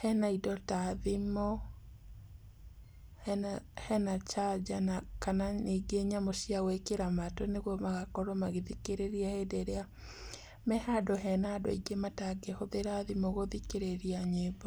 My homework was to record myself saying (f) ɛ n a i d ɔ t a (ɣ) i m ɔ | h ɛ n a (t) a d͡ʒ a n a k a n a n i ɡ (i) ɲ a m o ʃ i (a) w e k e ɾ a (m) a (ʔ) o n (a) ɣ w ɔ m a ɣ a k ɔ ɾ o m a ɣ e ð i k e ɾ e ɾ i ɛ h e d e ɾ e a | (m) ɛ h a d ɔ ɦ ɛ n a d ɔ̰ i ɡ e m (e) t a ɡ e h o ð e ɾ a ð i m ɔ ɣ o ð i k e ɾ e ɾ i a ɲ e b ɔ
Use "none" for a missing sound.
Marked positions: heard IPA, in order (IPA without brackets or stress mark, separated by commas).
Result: h, ð, t͡ʃ, e, a, m, t, e, m, a